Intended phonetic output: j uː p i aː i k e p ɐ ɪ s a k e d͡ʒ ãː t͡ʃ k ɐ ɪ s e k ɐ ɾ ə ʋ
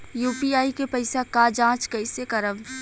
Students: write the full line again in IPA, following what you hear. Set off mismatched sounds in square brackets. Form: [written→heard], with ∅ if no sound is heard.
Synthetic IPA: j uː p i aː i k e p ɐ ɪ s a k [e→a] d͡ʒ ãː t͡ʃ k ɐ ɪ s e k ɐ ɾ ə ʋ